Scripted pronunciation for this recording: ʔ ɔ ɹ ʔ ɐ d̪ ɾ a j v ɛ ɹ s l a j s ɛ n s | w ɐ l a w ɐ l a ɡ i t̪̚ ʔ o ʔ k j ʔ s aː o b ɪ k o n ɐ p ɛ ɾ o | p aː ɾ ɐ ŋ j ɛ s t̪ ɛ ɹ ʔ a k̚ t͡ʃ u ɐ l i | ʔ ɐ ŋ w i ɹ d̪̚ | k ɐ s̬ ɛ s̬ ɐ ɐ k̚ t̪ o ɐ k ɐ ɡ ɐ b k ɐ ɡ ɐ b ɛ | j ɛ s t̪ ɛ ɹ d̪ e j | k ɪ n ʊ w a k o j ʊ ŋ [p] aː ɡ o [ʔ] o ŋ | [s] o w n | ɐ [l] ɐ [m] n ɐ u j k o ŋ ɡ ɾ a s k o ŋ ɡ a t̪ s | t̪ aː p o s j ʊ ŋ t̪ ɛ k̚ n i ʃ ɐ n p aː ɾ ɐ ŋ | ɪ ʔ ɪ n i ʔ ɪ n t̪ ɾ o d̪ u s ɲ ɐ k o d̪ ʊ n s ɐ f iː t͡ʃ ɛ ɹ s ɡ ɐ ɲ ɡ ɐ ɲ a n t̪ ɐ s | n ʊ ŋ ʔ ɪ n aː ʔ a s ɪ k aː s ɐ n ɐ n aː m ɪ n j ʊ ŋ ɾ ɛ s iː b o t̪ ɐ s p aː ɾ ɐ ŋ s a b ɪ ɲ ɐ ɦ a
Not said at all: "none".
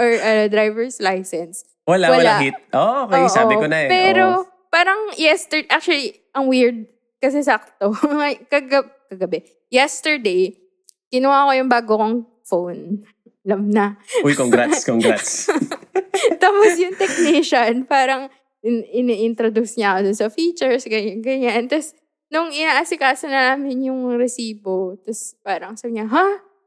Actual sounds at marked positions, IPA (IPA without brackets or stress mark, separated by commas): b, k, f, l, m